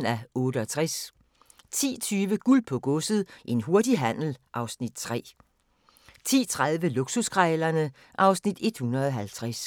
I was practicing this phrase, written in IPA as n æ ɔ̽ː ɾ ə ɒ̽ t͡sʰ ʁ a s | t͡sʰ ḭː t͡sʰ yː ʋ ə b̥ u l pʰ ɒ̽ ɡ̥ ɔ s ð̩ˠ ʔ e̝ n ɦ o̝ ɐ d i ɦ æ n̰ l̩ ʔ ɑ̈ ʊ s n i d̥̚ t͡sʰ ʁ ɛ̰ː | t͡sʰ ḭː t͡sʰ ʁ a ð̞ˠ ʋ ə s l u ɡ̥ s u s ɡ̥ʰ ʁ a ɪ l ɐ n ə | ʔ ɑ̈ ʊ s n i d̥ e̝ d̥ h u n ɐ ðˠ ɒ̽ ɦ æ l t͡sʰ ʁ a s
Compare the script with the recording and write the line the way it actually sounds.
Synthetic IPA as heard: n æ ɔ̽ː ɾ ə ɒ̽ t͡sʰ ʁ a s | t͡sʰ ḭː t͡sʰ yː ʋ ə ɡ̥ u l pʰ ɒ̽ ɡ̥ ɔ s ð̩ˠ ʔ e̝ n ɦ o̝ ɐ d i ɦ æ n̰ l̩ ʔ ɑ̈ ʊ s n i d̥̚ t͡sʰ ʁ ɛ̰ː | t͡sʰ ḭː t͡sʰ ʁ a ð̞ˠ ʋ ə l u ɡ̥ s u s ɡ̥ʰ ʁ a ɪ l ɐ n ə | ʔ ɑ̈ ʊ s n i d̥ e̝ d̥ h u n ɐ ðˠ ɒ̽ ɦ æ l t͡sʰ ʁ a s

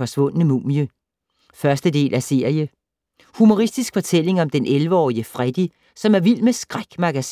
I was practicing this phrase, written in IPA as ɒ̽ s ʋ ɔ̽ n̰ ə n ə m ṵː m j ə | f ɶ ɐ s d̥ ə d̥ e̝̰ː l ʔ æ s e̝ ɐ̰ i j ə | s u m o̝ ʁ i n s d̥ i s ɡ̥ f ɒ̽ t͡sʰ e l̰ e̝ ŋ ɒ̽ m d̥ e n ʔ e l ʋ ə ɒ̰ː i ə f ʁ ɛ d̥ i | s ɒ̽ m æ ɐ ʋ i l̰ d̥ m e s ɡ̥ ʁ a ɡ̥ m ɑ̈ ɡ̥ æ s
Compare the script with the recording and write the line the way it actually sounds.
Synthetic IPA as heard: ɒ̽ s ʋ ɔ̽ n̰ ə n ə m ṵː m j ə | f ɶ ɐ s d̥ ə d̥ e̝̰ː l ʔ æ s e̝ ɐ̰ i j ə | h u m o̝ ʁ i s d̥ i s ɡ̥ f ɒ̽ t͡sʰ e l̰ e̝ ŋ ɒ̽ m d̥ e n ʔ e l ʋ ə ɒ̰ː i ə f ʁ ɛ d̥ i | s ɒ̽ m æ ɐ ʋ i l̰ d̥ m e s ɡ̥ ʁ a ɡ̥ m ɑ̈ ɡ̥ æ s

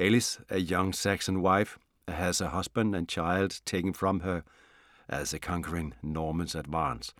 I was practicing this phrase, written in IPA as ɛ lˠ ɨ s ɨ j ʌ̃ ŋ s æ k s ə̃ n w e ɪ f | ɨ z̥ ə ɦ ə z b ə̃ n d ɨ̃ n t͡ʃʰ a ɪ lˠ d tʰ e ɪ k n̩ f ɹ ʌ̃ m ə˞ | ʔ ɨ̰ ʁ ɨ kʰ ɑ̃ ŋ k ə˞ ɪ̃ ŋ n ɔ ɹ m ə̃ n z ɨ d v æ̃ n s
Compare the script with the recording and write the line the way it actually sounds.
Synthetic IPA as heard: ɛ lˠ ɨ s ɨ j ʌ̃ ŋ s æ k s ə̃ n w a ɪ f | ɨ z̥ ə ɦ ʌ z b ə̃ n d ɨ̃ n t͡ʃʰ a ɪ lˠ d tʰ e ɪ k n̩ f ɹ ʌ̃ m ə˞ | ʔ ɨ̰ z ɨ kʰ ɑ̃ ŋ k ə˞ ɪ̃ ŋ n ɔ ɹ m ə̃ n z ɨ d v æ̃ n s

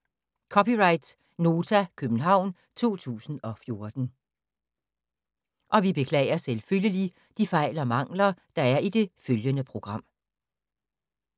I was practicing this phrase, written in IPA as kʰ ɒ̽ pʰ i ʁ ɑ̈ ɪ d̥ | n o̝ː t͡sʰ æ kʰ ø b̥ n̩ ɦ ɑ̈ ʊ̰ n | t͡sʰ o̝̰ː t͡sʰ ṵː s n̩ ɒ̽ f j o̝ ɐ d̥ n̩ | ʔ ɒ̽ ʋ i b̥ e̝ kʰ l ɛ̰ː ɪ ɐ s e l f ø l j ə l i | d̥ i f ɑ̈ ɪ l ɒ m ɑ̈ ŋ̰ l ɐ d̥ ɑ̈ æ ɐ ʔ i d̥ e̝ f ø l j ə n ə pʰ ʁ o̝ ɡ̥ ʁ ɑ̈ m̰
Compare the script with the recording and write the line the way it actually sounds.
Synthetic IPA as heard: kʰ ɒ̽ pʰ i ʁ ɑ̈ ɪ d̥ | n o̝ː t͡sʰ æ kʰ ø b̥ n̩ ɦ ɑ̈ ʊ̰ n | t͡sʰ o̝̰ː t͡sʰ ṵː s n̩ ɒ̽ f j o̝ ɐ d̥ n̩ | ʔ ɒ̽ ʋ i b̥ e̝ kʰ l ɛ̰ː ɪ ɐ s e l f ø l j ə l i | d̥ i f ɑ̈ ɪ l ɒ m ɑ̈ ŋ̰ l ɐ d̥ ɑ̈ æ ɐ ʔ i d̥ e̝ f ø l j ə n ə pʰ ʁ o̝ ɡ̥ ʁ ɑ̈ m̰

